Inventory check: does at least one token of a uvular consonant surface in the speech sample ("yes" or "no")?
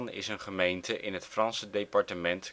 yes